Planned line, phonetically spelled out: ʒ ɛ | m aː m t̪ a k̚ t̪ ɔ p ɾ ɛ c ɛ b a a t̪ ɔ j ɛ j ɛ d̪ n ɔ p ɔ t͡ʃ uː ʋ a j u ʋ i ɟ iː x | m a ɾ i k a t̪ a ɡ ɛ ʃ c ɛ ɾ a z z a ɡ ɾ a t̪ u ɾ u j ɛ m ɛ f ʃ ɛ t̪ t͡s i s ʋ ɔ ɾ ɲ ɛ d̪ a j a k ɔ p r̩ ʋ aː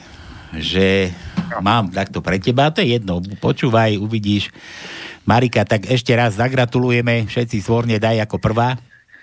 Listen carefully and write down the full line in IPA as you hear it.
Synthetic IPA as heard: ʒ ɛ | m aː m t̪ a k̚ t̪ ɔ p ɾ ɛ c ɛ b a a t̪ ɔ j ɛ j ɛ d̪ n ɔ p ɔ t͡ʃ uː ʋ a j u ʋ i ɟ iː ʃ | m a ɾ i k a t̪ a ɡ ɛ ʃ c ɛ ɾ a z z a ɡ ɾ a t̪ u l u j ɛ m ɛ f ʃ ɛ t̪ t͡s i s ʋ ɔ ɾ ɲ ɛ d̪ a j a k ɔ p r̩ ʋ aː